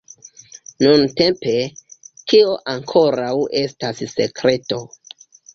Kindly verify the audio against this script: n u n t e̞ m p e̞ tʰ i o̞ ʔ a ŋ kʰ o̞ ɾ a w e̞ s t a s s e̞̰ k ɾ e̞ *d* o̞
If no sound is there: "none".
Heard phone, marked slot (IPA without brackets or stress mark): t